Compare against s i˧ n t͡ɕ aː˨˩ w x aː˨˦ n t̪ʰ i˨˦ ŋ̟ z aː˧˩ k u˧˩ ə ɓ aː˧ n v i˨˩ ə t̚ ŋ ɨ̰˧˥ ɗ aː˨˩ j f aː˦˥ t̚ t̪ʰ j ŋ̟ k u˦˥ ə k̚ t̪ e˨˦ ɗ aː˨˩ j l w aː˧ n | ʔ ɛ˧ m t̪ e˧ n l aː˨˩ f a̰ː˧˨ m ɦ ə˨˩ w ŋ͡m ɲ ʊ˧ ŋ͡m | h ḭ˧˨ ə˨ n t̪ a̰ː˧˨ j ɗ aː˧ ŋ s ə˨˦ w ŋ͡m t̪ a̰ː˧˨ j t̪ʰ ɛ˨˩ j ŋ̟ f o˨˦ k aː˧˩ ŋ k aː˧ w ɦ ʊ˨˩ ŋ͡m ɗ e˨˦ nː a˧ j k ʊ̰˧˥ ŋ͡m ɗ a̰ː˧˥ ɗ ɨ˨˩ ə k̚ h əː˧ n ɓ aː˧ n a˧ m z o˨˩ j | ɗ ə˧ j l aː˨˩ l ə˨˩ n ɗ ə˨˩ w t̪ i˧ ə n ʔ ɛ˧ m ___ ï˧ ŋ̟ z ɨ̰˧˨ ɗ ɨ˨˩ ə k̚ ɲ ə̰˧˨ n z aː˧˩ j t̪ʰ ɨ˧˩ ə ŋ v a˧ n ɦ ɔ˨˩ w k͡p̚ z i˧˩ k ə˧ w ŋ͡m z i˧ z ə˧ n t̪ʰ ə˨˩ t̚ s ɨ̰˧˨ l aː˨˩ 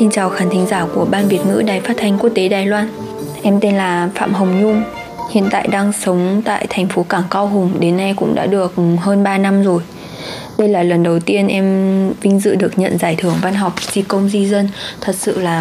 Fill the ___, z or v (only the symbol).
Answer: v